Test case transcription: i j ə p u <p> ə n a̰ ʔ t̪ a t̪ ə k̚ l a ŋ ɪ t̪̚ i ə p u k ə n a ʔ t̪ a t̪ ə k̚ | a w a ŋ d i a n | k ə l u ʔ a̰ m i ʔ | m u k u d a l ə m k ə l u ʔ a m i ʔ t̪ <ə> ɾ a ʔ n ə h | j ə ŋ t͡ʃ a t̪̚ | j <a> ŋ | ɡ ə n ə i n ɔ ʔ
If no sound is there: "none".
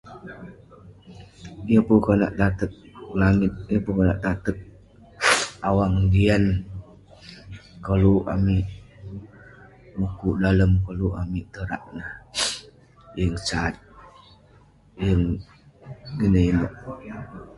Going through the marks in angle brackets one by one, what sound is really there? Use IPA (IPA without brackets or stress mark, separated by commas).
k, ə, ə